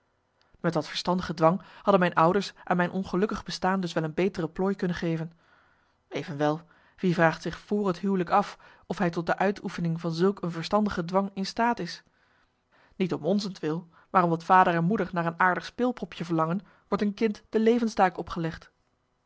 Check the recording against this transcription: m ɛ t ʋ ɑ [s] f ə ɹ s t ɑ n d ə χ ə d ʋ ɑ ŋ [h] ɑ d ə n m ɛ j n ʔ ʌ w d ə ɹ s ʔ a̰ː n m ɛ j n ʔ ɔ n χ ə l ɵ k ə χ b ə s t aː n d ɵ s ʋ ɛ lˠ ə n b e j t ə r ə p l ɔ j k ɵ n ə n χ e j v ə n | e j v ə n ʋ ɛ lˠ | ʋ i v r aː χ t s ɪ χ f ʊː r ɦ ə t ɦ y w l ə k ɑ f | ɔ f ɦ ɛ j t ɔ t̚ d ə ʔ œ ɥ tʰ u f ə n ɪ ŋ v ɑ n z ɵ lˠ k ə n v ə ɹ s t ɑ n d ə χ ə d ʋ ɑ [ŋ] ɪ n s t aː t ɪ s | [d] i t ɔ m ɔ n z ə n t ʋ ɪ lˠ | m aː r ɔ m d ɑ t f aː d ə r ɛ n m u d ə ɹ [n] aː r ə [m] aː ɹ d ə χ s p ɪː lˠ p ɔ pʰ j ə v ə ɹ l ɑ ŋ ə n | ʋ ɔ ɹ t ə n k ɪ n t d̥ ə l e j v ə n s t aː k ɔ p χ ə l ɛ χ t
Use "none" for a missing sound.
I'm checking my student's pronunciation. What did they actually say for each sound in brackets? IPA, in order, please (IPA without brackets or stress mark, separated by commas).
t, h, ŋ, n, n, n